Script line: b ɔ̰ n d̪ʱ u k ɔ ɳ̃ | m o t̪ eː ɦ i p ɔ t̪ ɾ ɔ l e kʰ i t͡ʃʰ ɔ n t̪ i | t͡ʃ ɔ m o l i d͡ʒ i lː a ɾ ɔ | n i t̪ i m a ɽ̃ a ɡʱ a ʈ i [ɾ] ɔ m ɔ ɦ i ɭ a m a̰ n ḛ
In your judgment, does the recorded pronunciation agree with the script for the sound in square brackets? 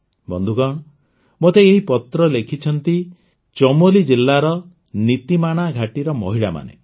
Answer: yes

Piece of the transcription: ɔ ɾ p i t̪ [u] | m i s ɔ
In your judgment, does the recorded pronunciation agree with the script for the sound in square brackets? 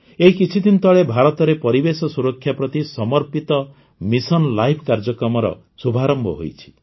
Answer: no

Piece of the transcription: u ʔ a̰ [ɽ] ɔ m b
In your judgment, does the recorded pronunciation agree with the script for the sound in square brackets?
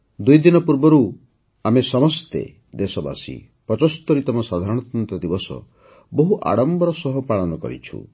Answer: yes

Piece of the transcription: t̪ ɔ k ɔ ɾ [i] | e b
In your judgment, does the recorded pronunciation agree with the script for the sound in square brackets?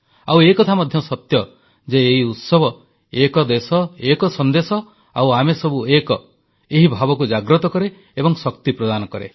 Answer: no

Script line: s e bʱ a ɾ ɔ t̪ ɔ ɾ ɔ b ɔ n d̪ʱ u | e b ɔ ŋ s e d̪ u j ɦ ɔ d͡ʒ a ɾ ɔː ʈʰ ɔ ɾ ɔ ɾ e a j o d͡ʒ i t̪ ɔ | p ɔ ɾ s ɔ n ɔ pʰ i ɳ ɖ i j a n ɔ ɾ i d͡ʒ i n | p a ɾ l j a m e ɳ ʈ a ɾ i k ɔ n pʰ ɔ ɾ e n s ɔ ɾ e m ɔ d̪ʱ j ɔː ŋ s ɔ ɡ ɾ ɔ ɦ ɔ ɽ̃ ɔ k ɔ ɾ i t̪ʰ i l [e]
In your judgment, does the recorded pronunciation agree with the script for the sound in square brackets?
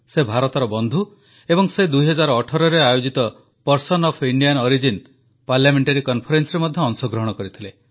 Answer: yes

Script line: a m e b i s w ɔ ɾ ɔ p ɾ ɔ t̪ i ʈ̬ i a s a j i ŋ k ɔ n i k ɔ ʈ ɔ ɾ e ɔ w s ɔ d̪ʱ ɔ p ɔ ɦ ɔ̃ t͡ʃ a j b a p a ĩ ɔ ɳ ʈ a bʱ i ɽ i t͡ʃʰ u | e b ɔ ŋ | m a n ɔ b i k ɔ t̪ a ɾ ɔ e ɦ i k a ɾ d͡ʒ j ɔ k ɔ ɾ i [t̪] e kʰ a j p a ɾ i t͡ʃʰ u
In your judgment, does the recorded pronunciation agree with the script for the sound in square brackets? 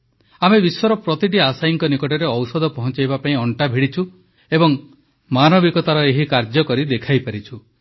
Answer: no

